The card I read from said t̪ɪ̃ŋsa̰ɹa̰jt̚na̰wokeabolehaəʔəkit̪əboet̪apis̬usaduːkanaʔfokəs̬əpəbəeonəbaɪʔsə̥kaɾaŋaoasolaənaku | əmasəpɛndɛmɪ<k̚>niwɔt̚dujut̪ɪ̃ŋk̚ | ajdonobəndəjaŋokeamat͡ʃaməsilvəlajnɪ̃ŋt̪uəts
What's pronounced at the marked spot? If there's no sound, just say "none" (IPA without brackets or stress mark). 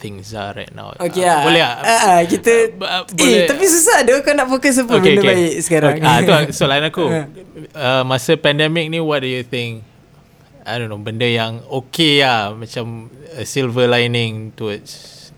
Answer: k̚